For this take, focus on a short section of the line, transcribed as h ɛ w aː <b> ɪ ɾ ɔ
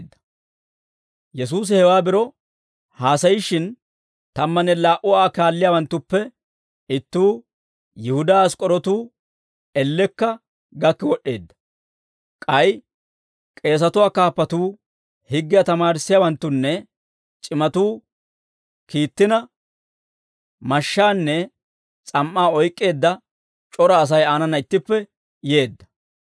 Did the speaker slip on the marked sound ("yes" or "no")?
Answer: no